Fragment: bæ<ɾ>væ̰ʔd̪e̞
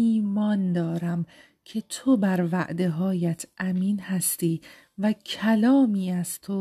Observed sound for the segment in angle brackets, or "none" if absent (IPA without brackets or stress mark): ɾ